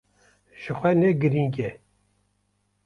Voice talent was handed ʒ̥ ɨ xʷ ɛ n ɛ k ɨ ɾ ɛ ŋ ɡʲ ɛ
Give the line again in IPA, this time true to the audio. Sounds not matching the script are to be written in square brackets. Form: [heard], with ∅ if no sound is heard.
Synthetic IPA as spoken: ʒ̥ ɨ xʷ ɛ n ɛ [ɡ] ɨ ɾ [i] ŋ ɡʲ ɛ